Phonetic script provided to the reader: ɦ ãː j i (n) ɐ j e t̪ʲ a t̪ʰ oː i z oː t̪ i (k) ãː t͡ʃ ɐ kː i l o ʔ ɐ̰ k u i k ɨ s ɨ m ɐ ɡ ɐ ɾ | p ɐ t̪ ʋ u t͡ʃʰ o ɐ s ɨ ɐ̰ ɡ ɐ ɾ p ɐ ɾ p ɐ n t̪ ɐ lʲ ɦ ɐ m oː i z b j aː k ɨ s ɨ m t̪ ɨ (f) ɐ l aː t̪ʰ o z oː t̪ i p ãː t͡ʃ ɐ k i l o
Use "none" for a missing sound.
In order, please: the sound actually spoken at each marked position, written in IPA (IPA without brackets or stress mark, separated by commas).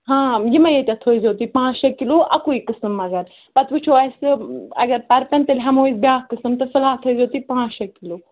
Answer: m, p, f